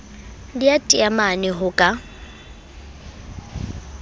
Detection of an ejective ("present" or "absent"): present